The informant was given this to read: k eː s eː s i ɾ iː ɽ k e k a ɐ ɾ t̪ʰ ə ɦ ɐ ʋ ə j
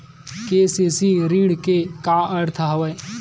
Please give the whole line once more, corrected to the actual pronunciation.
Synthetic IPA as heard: k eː s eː s i ɾ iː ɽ k e k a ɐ ɾ t̪ʰ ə ɦ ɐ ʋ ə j